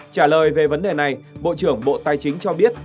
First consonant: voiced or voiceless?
voiceless